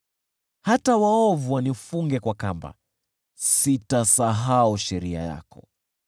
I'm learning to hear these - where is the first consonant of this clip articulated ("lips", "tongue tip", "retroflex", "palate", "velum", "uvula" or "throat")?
throat